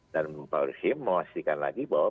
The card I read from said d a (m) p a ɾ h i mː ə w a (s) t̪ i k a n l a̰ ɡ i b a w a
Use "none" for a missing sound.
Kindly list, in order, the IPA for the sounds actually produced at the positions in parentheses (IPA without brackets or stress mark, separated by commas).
n, s